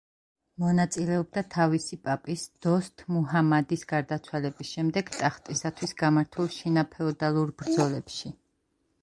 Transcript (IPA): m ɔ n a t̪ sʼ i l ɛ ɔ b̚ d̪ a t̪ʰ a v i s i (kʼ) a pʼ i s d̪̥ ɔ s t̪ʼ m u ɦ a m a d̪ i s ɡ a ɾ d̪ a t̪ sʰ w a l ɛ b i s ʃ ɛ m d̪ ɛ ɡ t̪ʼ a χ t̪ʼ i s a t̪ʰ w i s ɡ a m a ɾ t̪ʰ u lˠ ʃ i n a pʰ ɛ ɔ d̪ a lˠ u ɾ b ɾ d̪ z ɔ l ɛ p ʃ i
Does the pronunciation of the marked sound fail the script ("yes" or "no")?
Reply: yes